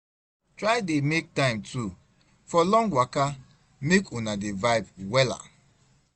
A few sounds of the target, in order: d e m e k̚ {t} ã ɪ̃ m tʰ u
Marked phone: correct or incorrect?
correct